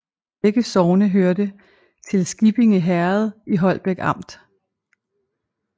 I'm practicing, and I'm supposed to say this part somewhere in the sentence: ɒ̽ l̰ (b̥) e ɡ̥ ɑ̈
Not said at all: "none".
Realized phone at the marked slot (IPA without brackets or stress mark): b̥